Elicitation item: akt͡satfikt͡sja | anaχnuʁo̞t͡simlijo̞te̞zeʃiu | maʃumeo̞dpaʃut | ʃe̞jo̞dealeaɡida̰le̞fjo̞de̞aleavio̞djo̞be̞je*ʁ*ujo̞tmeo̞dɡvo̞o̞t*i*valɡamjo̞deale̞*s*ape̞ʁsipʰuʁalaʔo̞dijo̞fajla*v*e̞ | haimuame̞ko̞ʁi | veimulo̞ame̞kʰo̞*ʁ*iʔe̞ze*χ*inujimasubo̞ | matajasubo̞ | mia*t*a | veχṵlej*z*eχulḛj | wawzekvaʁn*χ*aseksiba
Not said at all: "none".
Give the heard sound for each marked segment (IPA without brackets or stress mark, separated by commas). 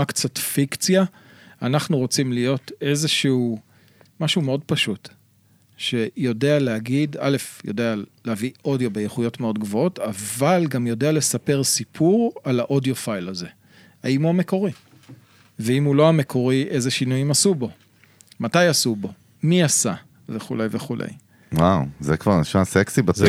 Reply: χ, a, s, z, ʁ, ʃ, s, v, ʃ